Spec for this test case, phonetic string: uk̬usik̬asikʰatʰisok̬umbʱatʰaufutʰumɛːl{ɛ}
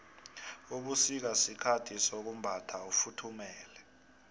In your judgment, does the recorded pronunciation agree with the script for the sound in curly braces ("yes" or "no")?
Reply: yes